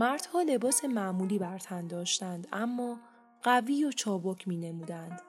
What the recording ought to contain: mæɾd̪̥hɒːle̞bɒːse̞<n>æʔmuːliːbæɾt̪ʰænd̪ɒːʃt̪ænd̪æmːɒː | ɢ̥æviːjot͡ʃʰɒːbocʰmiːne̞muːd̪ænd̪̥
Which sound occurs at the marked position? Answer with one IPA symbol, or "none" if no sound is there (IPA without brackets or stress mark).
m